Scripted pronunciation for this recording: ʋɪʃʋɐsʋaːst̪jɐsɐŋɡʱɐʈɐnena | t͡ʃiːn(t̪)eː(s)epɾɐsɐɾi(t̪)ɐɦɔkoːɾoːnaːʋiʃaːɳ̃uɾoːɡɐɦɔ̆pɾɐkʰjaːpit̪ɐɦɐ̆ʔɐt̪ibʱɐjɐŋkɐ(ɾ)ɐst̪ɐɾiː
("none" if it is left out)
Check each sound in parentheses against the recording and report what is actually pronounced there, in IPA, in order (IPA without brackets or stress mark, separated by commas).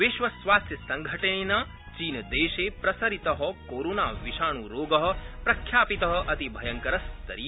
d̪, ʃ, t̪, ɾ